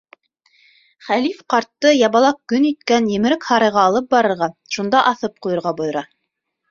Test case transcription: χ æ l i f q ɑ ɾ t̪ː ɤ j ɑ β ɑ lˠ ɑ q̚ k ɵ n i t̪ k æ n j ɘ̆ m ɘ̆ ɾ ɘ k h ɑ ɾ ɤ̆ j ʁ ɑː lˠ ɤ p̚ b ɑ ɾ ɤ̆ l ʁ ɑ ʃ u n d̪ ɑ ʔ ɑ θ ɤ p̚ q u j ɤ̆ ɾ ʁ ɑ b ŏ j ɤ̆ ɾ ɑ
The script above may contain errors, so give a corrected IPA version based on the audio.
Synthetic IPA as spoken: χ æ l i f q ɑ ɾ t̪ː ɤ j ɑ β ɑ lˠ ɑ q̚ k ɵ n i t̪ k æ n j ɘ̆ m ɘ̆ ɾ ɘ k h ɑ ɾ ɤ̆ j ʁ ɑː lˠ ɤ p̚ b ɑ ɾ ɤ̆ ɾ ʁ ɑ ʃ u n d̪ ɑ ʔ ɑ θ ɤ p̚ q u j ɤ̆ ɾ ʁ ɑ b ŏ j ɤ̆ ɾ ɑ